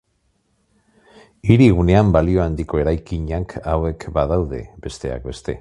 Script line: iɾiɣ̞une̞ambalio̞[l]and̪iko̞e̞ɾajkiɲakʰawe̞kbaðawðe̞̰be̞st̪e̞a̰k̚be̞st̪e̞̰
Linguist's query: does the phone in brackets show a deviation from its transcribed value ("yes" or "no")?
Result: yes